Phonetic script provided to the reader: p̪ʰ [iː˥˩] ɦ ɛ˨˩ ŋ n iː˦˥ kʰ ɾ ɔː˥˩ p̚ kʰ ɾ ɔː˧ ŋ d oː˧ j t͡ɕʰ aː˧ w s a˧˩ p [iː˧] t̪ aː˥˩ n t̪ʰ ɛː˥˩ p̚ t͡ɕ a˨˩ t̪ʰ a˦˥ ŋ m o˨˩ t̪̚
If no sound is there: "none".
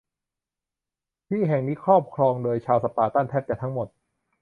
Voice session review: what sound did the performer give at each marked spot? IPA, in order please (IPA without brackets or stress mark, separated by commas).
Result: iː˥˩, aː˧